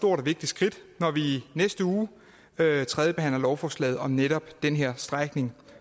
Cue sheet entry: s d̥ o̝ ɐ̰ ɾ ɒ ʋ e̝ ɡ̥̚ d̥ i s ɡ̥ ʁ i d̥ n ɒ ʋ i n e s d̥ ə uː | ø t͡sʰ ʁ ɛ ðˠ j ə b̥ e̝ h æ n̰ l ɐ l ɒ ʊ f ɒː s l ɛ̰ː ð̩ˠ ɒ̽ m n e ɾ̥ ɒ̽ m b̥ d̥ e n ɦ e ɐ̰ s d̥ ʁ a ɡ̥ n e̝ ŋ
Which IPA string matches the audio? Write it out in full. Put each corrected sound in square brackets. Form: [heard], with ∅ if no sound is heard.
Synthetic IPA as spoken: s d̥ o̝ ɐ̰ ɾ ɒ ʋ e̝ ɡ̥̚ d̥ i s ɡ̥ ʁ i d̥ n ɒ ʋ i n e s d̥ ə uː | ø t͡sʰ ʁ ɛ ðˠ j ə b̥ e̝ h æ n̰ l ɐ l ɒ ʊ f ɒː s l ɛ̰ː ð̩ˠ ɒ̽ m n e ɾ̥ ɒ̽ [∅] b̥ d̥ e n ɦ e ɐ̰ s d̥ ʁ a ɡ̥ n e̝ ŋ